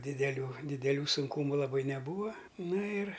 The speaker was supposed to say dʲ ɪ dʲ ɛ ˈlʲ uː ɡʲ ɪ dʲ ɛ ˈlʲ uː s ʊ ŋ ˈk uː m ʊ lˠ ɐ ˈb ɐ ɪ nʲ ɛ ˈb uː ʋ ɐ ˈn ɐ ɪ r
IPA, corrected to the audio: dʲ ɪ dʲ ɛ ˈlʲ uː dʲ ɪ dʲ ɛ ˈlʲ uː s ʊ ŋ ˈk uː m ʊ lˠ ɐ ˈb ɐ ɪ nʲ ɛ ˈb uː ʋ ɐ ˈn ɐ ɪ r